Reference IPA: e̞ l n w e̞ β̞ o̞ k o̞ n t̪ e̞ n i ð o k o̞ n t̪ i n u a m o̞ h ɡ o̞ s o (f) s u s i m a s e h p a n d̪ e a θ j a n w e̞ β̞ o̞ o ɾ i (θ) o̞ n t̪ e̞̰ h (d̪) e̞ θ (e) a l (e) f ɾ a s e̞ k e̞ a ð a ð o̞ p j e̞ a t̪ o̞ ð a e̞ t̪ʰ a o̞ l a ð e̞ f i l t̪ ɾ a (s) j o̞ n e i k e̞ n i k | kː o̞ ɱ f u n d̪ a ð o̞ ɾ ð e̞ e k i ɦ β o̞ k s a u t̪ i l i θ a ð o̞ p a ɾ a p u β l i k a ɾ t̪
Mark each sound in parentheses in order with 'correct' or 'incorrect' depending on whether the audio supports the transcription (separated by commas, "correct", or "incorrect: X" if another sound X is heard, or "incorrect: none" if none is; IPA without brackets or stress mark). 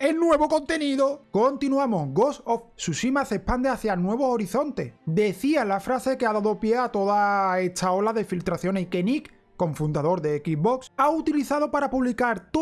correct, correct, correct, incorrect: i, incorrect: a, incorrect: θ